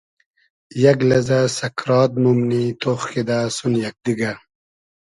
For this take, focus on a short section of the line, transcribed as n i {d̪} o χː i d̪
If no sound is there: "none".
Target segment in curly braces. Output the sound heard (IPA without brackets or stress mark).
t̪